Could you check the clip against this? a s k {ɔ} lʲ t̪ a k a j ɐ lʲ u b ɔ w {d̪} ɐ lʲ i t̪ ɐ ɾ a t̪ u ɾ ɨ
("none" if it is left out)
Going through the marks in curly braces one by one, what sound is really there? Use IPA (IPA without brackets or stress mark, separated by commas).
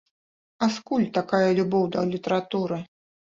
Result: u, d̪